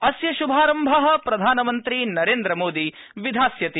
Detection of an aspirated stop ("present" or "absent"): absent